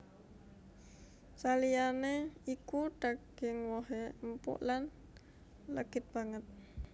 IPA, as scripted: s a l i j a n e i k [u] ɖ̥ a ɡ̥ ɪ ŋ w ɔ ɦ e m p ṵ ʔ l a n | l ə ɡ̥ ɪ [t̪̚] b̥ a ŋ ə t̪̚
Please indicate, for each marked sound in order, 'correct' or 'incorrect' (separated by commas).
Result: correct, correct